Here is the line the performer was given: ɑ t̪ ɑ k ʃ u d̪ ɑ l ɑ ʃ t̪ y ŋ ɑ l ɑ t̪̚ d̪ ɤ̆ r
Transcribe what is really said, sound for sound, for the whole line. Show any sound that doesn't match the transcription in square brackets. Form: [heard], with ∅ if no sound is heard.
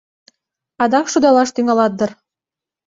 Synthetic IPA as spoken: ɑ [d̪] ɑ k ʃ u d̪ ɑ l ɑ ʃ t̪ y ŋ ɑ l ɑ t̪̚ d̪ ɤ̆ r